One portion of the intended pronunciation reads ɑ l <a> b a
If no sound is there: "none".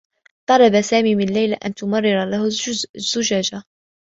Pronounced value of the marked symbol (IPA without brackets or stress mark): ɑ